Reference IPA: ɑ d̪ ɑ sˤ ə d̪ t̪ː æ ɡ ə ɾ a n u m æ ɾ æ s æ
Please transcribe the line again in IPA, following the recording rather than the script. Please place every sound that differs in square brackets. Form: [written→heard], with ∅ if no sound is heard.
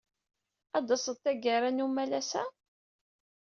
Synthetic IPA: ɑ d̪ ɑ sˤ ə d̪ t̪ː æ ɡ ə ɾ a n u m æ [ɾ→l] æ s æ